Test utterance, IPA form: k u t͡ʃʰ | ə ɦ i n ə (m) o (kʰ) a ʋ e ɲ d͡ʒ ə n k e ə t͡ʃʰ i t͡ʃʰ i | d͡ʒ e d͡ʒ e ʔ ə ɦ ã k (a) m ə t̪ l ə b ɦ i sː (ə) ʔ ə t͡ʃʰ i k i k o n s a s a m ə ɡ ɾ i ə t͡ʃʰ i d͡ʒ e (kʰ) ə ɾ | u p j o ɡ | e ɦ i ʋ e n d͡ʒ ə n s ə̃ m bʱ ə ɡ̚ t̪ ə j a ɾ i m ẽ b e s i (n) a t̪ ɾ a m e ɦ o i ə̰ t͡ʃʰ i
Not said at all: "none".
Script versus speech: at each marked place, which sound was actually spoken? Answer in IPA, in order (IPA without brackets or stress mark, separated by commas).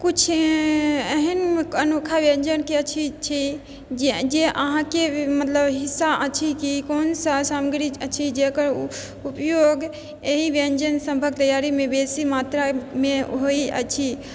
n, kʰ, e, a, k, m